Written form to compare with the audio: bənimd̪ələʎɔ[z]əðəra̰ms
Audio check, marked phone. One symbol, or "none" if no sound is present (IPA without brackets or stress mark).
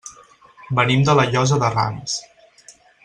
z